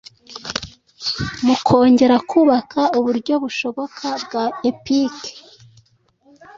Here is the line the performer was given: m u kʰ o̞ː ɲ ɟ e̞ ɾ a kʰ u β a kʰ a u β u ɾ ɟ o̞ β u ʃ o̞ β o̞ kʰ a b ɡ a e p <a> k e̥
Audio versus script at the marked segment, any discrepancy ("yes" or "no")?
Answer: yes